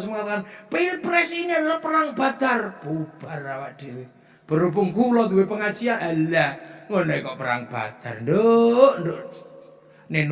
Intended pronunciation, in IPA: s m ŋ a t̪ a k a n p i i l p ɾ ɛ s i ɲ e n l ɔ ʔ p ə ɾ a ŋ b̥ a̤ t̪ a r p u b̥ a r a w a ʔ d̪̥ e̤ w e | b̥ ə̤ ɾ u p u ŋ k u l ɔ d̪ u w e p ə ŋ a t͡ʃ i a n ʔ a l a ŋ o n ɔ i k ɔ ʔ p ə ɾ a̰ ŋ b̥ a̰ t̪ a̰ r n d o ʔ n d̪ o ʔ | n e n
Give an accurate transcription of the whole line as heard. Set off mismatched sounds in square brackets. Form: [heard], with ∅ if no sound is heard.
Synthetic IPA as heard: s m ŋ a t̪ a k a n p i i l p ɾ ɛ s i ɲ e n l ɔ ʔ p ə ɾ a ŋ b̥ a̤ t̪ a r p u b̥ a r a w a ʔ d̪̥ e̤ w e | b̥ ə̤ ɾ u p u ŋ k u l ɔ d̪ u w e p ə ŋ a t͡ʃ i a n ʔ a l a ŋ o n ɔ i k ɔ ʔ p ə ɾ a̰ ŋ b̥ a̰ t̪ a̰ r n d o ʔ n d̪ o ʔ | n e n